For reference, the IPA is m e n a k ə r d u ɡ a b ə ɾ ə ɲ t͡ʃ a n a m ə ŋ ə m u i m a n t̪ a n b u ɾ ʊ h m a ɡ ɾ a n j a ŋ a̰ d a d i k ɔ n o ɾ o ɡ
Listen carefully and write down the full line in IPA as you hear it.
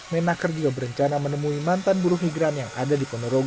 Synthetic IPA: m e n a k ə r d͡ʒ u ɡ a b ə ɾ ə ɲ t͡ʃ a n a m ə n ə m u i m a n t̪ a n b u ɾ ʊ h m i ɡ ɾ a n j a ŋ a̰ d a d i p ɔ n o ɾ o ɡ